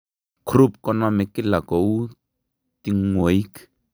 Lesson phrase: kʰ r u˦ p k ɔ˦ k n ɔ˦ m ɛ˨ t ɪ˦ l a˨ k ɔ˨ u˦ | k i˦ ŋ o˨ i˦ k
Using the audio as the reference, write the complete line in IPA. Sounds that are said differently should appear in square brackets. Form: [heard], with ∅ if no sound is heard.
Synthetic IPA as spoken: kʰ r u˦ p k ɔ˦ [∅] n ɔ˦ m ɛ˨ [k] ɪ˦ l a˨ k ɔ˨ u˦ | [t] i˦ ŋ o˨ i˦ k